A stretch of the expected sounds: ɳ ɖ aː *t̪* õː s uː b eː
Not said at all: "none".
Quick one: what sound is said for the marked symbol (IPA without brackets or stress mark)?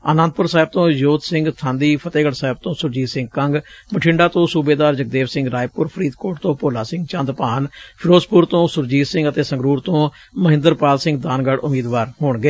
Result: t̪